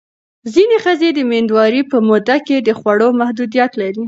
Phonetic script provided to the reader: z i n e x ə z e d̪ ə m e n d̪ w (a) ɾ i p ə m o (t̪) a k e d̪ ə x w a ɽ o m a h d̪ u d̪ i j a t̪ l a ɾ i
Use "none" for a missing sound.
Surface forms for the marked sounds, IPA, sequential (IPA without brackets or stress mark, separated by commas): ɑ, d̪